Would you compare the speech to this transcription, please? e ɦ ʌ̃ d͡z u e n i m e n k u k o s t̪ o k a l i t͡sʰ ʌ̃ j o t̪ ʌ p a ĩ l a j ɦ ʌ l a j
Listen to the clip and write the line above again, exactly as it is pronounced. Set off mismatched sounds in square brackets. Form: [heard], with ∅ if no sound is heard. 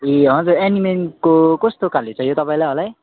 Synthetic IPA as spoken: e ɦ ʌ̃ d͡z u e n i m e n k [o] k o s t̪ o k a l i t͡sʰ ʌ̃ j o t̪ ʌ p a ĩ l a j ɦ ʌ l a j